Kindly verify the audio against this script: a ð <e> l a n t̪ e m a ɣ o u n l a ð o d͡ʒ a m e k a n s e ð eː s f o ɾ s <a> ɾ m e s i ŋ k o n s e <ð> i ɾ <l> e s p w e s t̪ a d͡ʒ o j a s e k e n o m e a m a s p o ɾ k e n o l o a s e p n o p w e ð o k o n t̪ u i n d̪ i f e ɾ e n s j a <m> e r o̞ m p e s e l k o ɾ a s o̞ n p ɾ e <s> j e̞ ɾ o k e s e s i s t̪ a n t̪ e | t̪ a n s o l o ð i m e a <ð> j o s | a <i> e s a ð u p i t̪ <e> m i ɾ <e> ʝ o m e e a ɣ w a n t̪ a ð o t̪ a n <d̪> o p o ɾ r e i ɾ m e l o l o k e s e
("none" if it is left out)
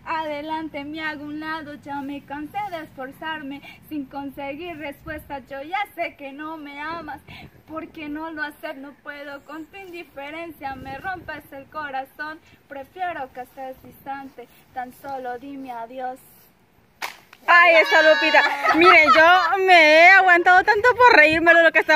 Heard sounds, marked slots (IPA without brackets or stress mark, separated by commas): e, a, ɣ, r, m, f, ð, j, a, e, t̪